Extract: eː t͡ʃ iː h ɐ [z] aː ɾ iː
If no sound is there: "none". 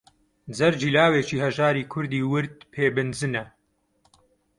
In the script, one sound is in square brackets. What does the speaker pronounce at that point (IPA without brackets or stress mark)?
ʒ